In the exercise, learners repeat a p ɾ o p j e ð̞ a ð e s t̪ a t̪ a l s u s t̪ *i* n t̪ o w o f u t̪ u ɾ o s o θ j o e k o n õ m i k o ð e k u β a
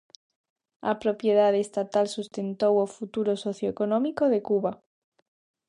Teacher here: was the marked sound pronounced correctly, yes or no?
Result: no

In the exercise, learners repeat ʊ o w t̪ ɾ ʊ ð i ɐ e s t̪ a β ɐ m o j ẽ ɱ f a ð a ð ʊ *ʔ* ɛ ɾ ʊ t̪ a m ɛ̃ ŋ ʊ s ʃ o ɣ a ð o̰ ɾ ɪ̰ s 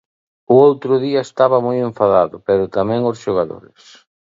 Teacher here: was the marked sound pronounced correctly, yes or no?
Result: no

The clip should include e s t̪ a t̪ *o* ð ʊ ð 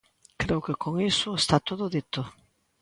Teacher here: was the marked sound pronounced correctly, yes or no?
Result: yes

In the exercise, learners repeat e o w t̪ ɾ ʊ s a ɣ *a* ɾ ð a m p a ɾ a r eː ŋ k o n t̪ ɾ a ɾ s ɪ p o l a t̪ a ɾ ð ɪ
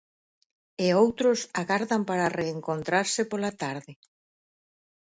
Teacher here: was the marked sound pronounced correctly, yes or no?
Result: yes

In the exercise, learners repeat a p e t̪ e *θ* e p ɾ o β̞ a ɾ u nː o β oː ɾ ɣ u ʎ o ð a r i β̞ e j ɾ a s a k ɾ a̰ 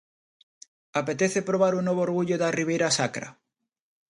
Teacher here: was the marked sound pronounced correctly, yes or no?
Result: yes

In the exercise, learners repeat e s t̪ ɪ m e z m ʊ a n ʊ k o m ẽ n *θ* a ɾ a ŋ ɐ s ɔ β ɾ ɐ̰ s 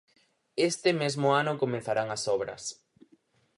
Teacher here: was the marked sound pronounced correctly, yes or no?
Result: yes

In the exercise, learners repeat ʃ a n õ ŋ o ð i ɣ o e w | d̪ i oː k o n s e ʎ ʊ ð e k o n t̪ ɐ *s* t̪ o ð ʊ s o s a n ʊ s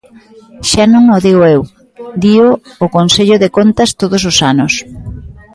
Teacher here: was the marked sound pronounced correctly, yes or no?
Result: yes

